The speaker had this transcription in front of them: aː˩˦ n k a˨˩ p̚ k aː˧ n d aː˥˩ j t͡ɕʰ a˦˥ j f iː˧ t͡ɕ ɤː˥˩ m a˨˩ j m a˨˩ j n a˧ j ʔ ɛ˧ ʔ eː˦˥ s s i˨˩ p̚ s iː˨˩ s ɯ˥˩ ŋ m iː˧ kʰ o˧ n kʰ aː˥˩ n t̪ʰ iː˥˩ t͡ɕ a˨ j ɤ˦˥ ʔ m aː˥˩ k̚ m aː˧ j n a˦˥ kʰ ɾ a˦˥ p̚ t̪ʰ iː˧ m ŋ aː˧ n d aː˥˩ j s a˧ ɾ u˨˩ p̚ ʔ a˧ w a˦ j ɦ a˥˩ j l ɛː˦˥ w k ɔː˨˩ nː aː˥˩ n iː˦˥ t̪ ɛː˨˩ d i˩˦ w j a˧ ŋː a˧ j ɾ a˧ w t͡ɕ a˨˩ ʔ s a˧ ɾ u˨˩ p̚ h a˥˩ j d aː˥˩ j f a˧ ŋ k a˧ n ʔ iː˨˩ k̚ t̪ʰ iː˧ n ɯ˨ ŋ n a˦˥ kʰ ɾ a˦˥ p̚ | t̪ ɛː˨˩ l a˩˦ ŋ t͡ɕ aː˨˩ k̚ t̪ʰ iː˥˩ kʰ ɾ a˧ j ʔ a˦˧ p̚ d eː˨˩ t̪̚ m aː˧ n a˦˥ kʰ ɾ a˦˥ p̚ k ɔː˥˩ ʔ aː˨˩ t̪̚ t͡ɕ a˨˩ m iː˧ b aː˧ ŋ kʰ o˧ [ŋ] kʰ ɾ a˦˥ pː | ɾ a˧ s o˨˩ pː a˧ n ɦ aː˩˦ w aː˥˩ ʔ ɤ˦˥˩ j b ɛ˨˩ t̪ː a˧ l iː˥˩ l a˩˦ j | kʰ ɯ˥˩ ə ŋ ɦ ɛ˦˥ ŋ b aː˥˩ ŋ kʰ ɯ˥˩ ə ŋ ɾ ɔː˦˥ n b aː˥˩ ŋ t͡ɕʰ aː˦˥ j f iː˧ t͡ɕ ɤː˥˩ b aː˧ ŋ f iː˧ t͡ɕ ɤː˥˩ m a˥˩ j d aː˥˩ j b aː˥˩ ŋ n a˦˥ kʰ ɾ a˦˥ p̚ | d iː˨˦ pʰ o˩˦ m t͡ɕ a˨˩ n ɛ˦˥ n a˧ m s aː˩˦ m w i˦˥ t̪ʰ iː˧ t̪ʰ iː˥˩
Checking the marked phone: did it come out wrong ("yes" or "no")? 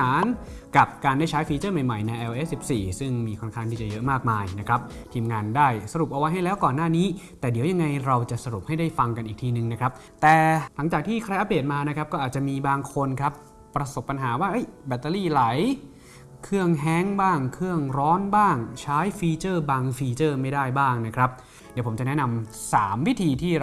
yes